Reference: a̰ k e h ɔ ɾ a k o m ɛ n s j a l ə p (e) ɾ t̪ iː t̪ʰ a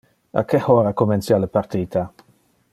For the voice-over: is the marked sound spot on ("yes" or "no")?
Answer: no